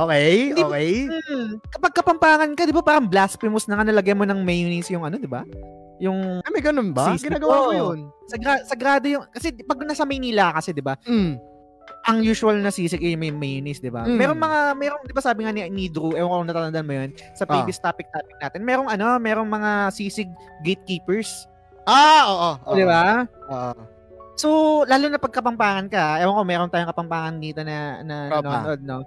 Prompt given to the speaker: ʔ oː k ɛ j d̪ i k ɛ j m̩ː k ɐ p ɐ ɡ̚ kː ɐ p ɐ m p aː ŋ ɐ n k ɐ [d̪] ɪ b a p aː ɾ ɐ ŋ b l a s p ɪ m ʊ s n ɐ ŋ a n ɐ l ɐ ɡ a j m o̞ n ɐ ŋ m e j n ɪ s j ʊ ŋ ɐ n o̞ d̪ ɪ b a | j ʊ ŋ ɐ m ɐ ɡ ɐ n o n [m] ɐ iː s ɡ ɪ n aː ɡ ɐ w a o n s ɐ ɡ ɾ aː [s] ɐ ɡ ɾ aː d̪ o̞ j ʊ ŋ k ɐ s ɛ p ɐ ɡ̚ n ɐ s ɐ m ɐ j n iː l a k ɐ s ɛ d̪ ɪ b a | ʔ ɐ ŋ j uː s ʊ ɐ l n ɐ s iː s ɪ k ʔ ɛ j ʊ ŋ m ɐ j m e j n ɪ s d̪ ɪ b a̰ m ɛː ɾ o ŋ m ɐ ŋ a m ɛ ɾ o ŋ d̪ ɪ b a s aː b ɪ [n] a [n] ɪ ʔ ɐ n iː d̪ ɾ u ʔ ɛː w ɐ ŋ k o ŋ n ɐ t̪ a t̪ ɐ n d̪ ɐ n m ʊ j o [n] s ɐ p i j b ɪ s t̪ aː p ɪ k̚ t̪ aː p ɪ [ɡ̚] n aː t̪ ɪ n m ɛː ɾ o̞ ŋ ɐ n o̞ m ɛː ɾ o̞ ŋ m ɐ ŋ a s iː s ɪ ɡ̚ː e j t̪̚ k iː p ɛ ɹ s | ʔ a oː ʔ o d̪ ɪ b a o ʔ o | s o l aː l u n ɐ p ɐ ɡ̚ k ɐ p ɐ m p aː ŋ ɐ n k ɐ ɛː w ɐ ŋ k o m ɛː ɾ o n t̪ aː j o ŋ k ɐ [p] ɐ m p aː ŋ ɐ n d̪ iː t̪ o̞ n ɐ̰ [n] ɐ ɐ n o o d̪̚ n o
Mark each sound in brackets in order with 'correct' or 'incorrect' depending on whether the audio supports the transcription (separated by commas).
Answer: correct, incorrect, correct, incorrect, correct, correct, incorrect, correct, correct